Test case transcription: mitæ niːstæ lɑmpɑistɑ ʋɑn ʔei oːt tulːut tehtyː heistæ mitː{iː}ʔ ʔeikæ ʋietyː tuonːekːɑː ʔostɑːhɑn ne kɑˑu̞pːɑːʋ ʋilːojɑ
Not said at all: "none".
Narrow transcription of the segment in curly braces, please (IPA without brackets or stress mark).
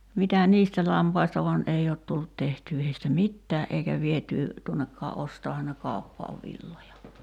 æː